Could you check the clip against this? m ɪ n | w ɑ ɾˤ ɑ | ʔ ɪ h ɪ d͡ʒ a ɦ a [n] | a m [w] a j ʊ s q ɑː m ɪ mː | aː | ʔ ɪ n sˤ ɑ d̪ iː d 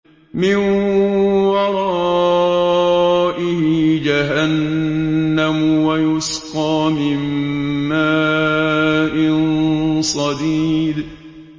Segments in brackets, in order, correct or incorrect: incorrect: nː, correct

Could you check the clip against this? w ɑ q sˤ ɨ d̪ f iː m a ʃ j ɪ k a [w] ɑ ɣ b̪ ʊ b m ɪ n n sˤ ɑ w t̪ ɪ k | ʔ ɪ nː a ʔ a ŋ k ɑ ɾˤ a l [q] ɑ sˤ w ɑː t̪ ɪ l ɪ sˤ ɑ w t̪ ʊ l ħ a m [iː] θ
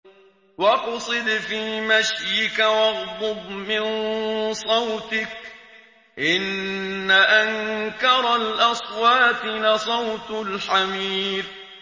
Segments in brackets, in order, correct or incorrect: correct, incorrect: ʔ, correct

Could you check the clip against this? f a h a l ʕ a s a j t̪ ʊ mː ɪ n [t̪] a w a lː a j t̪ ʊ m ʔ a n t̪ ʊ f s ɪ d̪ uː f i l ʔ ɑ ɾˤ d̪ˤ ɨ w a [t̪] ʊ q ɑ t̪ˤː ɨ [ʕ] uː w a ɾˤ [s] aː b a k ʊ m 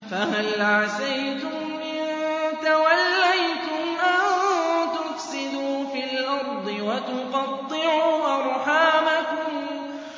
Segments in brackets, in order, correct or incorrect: correct, correct, correct, incorrect: ħ

